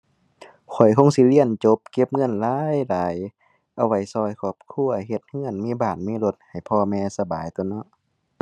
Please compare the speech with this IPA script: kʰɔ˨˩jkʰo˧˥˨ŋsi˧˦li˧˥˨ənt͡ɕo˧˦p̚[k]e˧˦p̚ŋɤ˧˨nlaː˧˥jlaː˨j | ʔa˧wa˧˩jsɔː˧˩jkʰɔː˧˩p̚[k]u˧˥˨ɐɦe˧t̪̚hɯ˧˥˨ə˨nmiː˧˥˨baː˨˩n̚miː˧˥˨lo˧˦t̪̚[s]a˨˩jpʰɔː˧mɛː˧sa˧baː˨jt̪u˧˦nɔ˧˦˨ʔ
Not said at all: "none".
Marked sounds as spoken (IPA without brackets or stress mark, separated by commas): k, kʰ, h